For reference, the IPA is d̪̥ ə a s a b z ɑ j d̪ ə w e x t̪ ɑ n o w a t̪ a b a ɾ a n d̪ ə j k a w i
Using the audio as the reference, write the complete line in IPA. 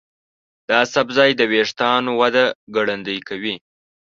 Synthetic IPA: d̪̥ ɑ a s a b z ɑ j d̪ ə w e ʂ t̪ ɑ n o w a d̪ a ɡ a ɽ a n d̪ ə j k a w i